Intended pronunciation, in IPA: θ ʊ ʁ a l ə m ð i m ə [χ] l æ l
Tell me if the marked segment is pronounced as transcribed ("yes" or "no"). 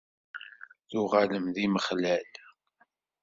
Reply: yes